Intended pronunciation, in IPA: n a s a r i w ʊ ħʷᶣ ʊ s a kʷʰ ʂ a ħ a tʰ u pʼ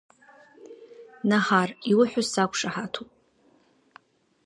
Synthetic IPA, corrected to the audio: n a ħ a r i w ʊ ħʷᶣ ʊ s a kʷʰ ʂ a ħ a tʰ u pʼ